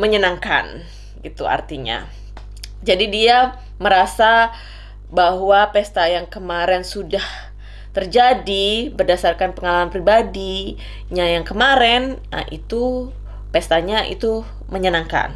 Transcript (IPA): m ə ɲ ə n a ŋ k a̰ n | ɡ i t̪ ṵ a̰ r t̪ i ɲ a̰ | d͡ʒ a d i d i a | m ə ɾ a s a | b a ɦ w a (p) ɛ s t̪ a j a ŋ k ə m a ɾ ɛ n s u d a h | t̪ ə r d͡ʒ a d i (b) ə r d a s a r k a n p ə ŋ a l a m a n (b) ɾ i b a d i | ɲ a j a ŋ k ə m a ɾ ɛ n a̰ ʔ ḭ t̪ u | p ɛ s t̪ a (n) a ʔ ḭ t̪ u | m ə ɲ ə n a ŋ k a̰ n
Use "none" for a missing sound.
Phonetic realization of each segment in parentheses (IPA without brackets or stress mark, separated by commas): p, b, p, ɲ